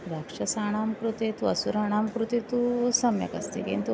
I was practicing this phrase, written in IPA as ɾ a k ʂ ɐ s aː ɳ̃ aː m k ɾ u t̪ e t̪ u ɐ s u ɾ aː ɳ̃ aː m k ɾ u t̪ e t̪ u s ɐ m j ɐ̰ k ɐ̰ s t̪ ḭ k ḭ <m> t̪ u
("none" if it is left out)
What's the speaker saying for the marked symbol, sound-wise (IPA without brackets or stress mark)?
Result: n